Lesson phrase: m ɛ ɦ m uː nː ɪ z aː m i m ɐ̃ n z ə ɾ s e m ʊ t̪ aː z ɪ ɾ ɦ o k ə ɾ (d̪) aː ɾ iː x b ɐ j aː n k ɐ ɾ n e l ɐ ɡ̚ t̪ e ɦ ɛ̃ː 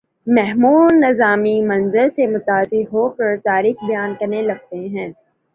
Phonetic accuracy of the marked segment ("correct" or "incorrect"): incorrect